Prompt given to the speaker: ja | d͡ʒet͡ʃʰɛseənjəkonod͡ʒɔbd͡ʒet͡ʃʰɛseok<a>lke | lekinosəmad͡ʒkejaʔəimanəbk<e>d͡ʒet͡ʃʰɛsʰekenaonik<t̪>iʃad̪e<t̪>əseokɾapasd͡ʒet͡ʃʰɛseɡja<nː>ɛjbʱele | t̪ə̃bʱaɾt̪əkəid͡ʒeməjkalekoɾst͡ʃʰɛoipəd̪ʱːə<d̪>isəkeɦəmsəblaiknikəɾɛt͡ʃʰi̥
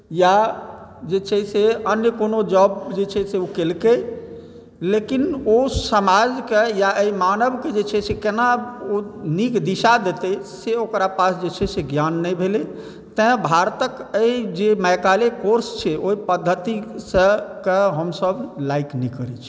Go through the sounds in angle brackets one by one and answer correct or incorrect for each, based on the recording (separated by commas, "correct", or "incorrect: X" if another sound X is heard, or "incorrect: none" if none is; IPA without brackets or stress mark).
incorrect: e, correct, incorrect: d̪, correct, correct, incorrect: t̪